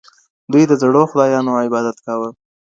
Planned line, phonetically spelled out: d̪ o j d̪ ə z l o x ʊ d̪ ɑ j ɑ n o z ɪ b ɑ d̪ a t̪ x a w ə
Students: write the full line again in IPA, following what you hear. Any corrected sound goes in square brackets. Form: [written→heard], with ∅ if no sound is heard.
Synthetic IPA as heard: d̪ [o→u] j d̪ ə z [l→ɽ] o x ʊ d̪ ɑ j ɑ n o [z→∅] ɪ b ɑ d̪ a t̪ [x→k] a w ə